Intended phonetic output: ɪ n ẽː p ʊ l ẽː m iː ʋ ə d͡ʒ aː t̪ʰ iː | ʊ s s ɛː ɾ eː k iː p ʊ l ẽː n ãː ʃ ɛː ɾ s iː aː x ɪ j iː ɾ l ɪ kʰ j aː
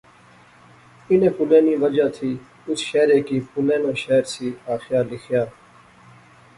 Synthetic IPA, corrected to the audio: ɪ n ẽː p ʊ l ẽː n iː ʋ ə d͡ʒ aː t̪ʰ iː | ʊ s ʃ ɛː ɾ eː k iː p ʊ l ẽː n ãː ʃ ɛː ɾ s iː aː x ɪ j aː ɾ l ɪ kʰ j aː

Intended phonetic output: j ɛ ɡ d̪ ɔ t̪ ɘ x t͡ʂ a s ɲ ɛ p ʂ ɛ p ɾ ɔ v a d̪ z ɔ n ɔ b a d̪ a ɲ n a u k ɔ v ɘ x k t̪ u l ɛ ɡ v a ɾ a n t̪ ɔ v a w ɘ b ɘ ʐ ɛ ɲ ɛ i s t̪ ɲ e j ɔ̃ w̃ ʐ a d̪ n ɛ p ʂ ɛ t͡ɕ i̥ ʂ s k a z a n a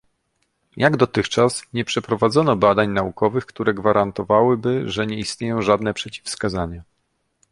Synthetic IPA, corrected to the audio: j a ɡ d̪ ɔ t̪ ɘ x t͡ʂ a s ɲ ɛ p ʂ ɛ p ɾ ɔ v a d̪ z ɔ n ɔ b a d̪ a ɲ n a u k ɔ v ɘ x k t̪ u ɾ ɛ ɡ v a ɾ a n t̪ ɔ v a w ɘ b ɘ ʐ ɛ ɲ ɛ i s t̪ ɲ e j ɔ̃ w̃ ʐ a d̪ n ɛ p ʂ ɛ t͡ɕ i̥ f s k a z a ɲ a

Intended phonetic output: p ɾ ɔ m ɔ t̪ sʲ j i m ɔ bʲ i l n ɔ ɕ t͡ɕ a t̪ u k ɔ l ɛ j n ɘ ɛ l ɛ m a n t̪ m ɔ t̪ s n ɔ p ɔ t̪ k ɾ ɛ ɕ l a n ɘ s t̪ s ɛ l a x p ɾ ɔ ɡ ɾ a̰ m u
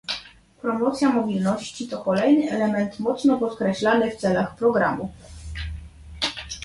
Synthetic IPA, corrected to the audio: p ɾ ɔ m ɔ t̪ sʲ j a m ɔ bʲ i l n ɔ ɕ t͡ɕ i t̪ ɔ k ɔ l ɛ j n ɘ ɛ l ɛ m ɛ n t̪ m ɔ t̪ s n ɔ p ɔ t̪ k ɾ ɛ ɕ l a n ɘ f t̪ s ɛ l a x p ɾ ɔ ɡ ɾ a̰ m u

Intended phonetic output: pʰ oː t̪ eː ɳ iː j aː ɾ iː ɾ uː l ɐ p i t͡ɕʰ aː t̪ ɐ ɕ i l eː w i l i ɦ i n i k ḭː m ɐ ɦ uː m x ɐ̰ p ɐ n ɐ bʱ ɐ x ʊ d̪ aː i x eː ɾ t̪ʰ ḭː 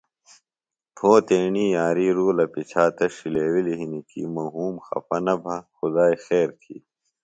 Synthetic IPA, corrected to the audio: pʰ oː t̪ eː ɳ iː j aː ɾ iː ɾ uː l ɐ p i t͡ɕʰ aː t̪ ɐ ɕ i l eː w i l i ɦ i n i k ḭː m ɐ ɦ uː m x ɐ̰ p ɐ n ɐ bʱ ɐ x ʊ d̪ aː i x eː ɾ t̪ʰ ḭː

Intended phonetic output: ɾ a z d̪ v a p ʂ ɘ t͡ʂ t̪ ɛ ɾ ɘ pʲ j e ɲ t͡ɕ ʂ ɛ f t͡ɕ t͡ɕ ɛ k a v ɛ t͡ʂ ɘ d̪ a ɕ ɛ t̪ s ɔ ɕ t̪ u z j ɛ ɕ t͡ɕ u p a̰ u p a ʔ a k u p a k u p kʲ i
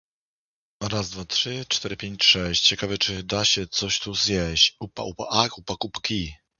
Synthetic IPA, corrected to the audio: ɾ a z d̪ v a t ʂ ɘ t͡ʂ t̪ ɛ ɾ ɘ pʲ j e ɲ t͡ɕ ʂ ɛ ɕ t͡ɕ t͡ɕ ɛ k a v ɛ t͡ʂ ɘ d̪ a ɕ ɛ t̪ s ɔ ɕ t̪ u z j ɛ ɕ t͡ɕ u p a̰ u p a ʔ a k u p a k u p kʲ i

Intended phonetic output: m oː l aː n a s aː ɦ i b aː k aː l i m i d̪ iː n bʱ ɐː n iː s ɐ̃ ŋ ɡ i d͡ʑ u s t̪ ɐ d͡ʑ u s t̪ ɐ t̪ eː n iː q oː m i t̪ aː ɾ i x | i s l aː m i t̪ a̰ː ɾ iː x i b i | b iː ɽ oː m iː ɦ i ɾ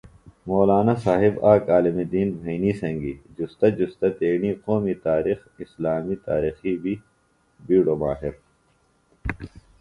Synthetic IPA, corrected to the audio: m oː l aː n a s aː ɦ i b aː k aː l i m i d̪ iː n bʱ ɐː n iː s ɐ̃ ŋ ɡ i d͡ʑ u s t̪ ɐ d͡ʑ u s t̪ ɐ t̪ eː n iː q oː m i t̪ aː ɾ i x | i s l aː m i t̪ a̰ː ɾ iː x i b i | b iː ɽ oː m aː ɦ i ɾ

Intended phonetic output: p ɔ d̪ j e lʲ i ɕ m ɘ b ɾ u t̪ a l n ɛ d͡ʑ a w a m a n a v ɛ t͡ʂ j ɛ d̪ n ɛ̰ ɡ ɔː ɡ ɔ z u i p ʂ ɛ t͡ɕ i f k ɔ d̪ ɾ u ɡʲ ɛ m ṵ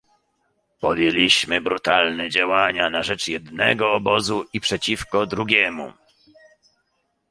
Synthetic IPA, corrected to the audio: p ɔ d̪ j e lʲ i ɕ m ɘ b ɾ u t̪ a l n ɛ d͡ʑ a w a ɲ a n a ʐ ɛ t͡ʂ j ɛ d̪ n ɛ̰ ɡ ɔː b ɔ z u i p ʂ ɛ t͡ɕ i f k ɔ d̪ ɾ u ɡʲ ɛ m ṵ

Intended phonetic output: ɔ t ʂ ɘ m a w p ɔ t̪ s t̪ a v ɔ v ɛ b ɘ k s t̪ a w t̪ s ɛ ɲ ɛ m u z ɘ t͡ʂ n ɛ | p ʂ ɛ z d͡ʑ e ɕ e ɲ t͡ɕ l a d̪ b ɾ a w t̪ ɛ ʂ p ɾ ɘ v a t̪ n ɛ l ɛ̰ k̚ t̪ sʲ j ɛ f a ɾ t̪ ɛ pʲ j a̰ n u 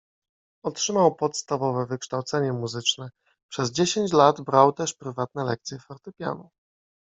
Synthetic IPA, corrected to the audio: ɔ t ʂ ɘ m a w p ɔ t̪ s t̪ a v ɔ v ɛ v ɘ k ʂ t̪ a w t̪ s ɛ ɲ ɛ m u z ɘ t͡ʂ n ɛ | p ʂ ɛ z d͡ʑ e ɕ e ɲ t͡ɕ l a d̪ b ɾ a w t̪ ɛ ʂ p ɾ ɘ v a t̪ n ɛ l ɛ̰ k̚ t̪ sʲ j ɛ f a ɾ t̪ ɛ pʲ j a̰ n u

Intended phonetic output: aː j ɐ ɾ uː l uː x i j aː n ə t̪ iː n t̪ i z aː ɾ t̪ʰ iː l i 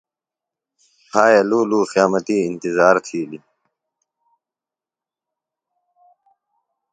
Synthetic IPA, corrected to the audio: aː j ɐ l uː l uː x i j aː m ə t̪ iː n t̪ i z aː ɾ t̪ʰ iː l i

